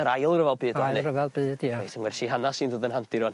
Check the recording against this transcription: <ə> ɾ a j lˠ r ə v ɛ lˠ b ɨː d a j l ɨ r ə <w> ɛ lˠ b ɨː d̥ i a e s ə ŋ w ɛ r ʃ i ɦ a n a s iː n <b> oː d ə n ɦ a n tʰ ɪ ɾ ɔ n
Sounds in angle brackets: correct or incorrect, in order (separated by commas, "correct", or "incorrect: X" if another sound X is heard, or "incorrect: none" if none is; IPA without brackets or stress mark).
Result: correct, incorrect: v, incorrect: d